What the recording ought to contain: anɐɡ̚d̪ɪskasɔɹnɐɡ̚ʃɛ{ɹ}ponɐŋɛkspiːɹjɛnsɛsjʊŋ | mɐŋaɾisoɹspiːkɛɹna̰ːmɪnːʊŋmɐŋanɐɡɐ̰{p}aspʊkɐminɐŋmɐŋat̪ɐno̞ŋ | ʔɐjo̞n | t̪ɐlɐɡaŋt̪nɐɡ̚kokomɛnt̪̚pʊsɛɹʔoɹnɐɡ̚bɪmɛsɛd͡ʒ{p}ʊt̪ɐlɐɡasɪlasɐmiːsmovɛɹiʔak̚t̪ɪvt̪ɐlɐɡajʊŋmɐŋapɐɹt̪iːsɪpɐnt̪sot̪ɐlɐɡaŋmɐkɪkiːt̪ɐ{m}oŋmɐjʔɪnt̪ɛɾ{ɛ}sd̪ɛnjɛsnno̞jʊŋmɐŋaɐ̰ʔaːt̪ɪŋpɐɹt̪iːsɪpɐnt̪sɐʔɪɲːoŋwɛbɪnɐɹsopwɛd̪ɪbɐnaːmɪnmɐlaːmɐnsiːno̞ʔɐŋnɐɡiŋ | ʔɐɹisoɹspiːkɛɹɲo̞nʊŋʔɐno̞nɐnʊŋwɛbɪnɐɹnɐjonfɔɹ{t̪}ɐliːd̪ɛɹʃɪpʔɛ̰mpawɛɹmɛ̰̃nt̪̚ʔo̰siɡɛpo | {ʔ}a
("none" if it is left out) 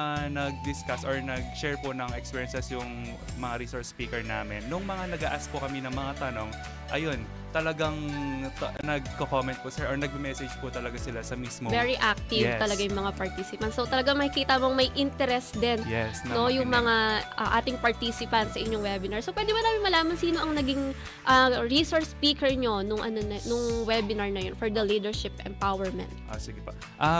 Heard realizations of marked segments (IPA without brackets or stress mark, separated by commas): ɹ, ʔ, p, m, ɛ, d̪, ʔ